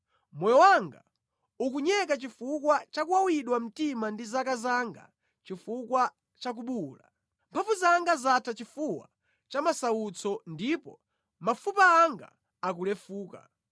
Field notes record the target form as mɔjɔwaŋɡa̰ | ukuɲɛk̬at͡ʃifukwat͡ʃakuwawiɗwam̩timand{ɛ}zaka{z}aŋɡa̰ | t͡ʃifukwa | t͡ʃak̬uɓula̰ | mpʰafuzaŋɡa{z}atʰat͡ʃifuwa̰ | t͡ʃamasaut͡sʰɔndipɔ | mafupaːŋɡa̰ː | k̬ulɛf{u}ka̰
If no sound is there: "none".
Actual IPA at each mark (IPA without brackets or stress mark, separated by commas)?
i, z, z, uː